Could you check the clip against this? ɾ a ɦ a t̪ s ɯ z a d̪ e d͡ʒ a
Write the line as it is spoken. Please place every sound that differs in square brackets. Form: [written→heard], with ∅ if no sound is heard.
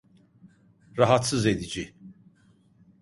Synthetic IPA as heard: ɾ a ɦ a t̪ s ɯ z [a→e] d̪ [e→i] d͡ʒ [a→i]